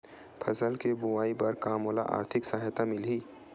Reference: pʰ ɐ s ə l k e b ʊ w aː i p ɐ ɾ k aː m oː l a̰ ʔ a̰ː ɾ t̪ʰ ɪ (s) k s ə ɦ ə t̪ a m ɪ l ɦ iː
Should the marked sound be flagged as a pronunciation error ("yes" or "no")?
yes